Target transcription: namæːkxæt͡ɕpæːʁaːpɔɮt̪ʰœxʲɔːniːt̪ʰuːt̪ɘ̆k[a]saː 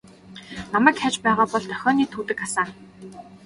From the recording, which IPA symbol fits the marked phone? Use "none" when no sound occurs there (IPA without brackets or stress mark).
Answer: a